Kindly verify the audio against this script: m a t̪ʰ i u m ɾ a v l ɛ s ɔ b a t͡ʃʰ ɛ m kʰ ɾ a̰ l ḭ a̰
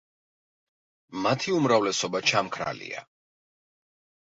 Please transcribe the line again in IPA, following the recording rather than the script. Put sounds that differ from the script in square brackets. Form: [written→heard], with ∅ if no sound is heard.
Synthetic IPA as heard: m a t̪ʰ i u m ɾ a v l ɛ s ɔ b a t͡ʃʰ [ɛ→a] m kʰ ɾ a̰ l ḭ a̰

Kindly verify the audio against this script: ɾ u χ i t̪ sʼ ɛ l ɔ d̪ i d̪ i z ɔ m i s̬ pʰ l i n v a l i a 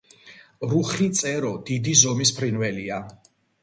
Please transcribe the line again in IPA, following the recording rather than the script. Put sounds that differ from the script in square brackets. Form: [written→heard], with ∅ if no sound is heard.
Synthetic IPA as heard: ɾ u χ i t̪ sʼ ɛ [l→ɾ] ɔ d̪ i d̪ i z ɔ m i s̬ pʰ [l→ɾ] i n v [a→ɛ] l i a

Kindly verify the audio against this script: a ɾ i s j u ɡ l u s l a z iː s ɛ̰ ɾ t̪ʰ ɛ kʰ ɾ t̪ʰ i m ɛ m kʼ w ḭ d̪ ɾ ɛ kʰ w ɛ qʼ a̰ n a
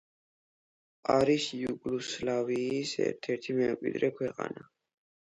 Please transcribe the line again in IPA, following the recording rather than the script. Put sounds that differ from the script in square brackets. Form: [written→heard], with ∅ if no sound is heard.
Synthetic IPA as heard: a ɾ i s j u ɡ l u s l a [z→v] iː s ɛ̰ ɾ t̪ʰ ɛ [kʰ→∅] ɾ t̪ʰ i m ɛ m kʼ w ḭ d̪ ɾ ɛ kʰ w ɛ qʼ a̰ n a

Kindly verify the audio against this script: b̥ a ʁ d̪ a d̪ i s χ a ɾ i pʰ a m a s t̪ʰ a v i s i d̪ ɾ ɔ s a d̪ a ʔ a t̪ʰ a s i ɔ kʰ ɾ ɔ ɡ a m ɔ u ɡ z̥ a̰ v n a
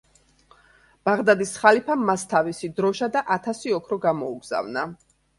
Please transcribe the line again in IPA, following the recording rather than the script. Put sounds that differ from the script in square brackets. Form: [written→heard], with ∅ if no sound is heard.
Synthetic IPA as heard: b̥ a ʁ d̪ a d̪ i s χ a [ɾ→l] i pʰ a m a s t̪ʰ a v i s i d̪ ɾ ɔ [s→ʃ] a d̪ a ʔ a t̪ʰ a s i ɔ kʰ ɾ ɔ ɡ a m ɔ u ɡ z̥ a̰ v n a

